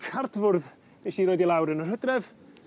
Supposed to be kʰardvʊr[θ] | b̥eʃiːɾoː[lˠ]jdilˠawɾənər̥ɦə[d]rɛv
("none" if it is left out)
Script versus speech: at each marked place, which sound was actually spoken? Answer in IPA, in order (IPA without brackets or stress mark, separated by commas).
ð, none, d